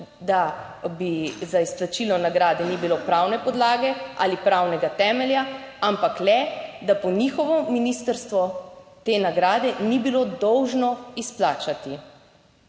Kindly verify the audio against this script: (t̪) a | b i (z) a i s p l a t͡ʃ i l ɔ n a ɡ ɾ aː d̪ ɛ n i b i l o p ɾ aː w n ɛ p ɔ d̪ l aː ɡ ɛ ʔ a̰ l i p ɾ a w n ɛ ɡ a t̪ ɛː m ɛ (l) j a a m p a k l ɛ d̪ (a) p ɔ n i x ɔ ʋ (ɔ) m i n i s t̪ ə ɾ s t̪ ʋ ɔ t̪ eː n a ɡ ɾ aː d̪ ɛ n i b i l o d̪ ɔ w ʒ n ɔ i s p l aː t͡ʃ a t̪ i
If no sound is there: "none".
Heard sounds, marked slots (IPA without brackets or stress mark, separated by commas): d̪, z, l, a, ɔ